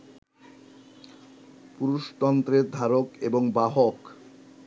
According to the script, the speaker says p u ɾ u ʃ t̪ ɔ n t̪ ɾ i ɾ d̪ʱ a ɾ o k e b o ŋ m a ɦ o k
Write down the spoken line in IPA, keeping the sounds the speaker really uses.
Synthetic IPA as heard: p u ɾ u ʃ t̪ ɔ n t̪ ɾ e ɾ d̪ʱ a ɾ o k e b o ŋ b a ɦ o k